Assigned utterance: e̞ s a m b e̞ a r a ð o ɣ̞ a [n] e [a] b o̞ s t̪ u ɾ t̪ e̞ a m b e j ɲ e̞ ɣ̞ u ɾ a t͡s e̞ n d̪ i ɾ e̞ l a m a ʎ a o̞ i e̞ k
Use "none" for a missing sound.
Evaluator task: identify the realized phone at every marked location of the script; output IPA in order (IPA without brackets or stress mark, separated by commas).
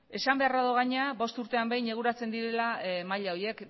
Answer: ɲ, a